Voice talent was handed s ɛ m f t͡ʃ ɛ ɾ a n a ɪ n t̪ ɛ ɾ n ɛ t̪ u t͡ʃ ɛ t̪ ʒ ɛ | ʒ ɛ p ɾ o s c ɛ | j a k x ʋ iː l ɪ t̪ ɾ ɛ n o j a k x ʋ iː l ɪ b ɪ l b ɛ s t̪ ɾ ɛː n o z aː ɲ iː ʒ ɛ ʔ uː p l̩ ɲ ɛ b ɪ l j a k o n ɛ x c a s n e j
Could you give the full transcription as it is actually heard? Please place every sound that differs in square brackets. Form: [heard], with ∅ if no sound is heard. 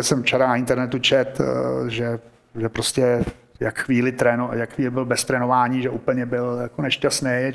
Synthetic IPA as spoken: s ɛ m f t͡ʃ ɛ ɾ a n a ɪ n t̪ ɛ ɾ n ɛ t̪ u t͡ʃ ɛ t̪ ʒ ɛ | ʒ ɛ p ɾ o s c ɛ | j a k x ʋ iː l ɪ t̪ ɾ ɛ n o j a k x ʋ iː l ɪ b ɪ l b ɛ s t̪ ɾ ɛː n o [v] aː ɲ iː ʒ ɛ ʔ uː p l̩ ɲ ɛ b ɪ l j a k o n ɛ [ʃ] c a s n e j